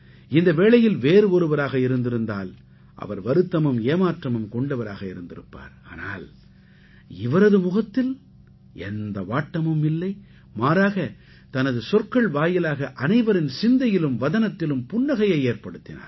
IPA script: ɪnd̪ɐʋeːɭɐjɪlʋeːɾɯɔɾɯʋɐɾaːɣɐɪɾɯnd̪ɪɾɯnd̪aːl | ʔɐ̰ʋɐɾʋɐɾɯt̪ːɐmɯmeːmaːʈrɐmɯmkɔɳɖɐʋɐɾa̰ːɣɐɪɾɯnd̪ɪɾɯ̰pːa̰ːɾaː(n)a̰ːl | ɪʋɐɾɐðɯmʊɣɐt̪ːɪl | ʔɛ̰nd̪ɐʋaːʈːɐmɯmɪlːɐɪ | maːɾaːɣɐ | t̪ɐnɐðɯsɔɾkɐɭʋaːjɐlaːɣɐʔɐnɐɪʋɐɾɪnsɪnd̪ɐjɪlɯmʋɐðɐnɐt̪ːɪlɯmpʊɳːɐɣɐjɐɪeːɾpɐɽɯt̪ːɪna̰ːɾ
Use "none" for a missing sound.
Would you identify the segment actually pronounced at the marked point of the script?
n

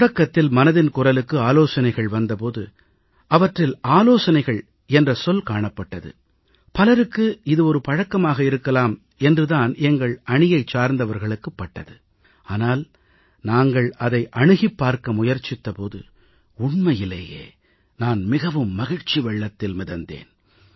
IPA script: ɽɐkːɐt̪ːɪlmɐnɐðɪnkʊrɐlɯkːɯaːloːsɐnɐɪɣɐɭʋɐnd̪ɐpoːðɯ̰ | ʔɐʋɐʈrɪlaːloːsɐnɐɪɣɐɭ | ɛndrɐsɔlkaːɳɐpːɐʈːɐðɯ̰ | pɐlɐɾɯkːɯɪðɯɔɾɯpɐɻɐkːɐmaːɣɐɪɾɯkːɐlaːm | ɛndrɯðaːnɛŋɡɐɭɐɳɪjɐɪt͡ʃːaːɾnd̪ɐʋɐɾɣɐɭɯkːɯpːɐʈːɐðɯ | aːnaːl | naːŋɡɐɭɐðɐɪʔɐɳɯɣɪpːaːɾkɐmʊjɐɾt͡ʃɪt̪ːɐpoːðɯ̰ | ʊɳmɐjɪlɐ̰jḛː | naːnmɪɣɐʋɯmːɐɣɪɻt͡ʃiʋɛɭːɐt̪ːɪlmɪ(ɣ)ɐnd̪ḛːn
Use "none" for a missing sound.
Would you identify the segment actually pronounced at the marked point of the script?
ð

